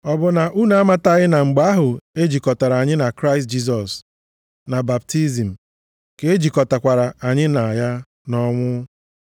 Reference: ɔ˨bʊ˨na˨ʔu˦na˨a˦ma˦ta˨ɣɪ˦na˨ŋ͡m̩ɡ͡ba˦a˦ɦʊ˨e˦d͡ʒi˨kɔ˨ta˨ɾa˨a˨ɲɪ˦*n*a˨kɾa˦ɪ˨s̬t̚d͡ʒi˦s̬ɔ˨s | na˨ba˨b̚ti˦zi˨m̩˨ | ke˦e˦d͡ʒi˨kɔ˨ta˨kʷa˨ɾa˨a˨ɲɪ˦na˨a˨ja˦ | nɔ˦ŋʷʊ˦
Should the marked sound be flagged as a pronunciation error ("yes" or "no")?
no